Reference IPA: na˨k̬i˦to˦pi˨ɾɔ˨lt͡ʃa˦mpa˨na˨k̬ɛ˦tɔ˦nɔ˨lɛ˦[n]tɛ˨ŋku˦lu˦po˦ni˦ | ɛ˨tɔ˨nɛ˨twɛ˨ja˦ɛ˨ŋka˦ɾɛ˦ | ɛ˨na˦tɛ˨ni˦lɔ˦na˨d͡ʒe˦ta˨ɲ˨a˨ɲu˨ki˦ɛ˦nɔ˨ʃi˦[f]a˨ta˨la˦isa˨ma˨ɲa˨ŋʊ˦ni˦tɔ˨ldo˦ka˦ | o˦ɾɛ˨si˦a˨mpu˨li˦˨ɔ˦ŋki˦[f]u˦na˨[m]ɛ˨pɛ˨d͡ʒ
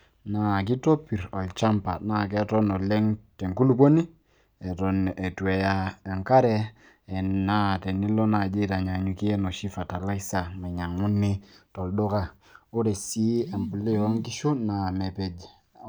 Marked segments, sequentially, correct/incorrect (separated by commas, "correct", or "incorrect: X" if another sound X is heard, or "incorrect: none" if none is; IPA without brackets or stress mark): incorrect: ŋ, correct, incorrect: ʃ, correct